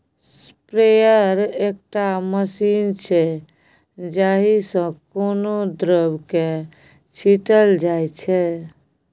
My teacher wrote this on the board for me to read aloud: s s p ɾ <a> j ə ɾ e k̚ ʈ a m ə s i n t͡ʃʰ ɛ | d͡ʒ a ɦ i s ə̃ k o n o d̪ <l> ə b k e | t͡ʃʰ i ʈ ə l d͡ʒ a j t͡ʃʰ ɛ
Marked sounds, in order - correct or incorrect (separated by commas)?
incorrect, incorrect